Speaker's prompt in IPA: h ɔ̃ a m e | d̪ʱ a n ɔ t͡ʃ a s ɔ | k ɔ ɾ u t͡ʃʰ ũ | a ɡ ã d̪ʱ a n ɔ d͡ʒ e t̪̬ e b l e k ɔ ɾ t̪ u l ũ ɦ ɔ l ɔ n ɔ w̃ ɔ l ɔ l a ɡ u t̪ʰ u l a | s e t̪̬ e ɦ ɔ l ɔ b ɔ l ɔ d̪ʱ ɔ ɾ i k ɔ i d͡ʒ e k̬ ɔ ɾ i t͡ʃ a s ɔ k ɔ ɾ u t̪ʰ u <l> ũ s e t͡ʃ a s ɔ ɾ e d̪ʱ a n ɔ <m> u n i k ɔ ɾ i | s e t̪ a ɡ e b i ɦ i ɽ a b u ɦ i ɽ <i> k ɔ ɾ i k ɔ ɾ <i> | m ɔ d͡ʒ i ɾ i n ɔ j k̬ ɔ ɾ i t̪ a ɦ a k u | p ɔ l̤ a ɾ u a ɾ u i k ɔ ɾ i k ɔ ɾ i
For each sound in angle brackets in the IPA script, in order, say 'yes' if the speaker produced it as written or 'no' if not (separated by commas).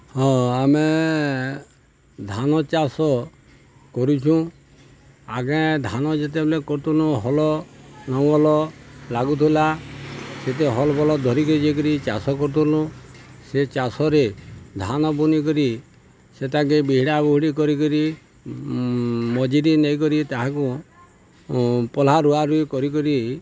yes, no, yes, yes